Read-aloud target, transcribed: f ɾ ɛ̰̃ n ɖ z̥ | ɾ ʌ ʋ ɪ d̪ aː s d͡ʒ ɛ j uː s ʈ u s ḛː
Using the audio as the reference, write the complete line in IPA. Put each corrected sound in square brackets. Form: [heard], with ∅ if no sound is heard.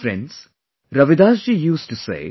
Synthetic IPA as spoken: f ɾ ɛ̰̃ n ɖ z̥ | ɾ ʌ ʋ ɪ d̪ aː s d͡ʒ [i] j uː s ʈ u s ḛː